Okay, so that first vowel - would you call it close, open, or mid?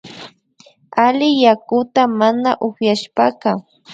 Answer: open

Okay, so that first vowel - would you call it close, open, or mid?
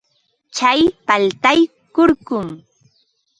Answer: open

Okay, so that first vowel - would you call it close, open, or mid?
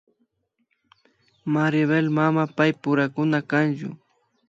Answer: open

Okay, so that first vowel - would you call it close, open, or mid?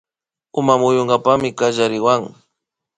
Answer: close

